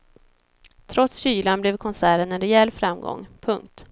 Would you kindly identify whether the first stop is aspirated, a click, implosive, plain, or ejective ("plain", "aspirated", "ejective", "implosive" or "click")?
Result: aspirated